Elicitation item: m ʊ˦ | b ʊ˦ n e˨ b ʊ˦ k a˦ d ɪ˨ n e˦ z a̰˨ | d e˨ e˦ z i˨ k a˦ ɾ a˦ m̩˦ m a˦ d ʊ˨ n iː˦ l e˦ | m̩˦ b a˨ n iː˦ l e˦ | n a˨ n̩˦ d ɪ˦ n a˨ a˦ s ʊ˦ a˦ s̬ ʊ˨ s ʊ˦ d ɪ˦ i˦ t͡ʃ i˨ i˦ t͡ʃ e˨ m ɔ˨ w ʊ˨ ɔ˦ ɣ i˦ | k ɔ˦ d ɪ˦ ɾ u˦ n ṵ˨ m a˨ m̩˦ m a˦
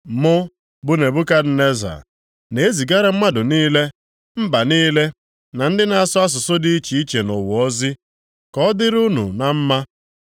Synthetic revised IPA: m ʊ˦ | b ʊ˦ n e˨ b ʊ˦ k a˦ d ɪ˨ n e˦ z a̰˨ | n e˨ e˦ z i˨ ɡ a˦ ɾ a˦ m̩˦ m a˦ d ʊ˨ n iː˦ l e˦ | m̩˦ b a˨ n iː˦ l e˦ | n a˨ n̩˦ d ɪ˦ n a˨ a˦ s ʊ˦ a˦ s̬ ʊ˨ s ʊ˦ d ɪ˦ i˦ t͡ʃ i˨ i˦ t͡ʃ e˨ n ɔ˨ w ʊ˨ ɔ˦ z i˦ | k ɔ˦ d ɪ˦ ɾ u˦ n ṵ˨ n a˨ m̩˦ m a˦